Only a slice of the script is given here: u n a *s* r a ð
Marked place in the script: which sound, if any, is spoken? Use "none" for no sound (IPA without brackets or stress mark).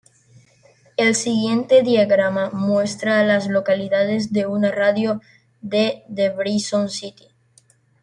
none